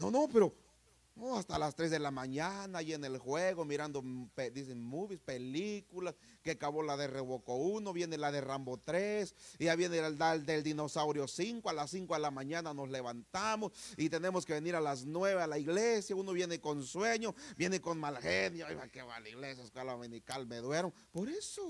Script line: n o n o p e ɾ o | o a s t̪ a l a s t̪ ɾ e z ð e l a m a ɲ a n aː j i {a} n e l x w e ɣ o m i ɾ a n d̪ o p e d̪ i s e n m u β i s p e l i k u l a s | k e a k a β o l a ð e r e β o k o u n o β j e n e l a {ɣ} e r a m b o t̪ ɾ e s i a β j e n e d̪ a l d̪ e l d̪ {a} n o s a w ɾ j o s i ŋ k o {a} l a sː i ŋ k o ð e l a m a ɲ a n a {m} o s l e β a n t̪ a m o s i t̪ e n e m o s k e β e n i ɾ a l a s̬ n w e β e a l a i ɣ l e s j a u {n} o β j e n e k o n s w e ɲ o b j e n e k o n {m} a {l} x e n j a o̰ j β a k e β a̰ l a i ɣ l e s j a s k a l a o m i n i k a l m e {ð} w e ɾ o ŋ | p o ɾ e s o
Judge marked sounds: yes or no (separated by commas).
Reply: no, no, no, yes, no, yes, yes, yes, yes